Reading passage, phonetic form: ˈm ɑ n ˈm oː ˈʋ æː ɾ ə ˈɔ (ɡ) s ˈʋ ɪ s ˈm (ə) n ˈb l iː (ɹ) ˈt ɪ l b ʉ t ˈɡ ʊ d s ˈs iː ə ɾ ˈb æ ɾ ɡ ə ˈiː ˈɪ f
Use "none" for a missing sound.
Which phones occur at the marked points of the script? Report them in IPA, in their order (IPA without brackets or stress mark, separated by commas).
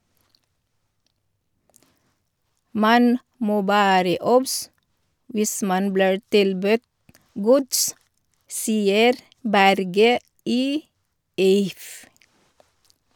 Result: b, ɑ, ɹ